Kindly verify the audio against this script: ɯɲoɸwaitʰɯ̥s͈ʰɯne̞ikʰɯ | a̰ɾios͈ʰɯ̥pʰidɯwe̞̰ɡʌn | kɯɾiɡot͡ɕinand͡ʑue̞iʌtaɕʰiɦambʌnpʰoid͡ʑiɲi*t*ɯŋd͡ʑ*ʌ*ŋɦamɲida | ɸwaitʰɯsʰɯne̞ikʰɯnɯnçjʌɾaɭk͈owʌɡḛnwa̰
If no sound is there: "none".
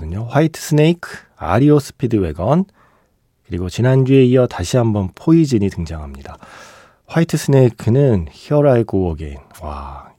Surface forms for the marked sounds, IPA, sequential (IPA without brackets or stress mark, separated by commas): t, a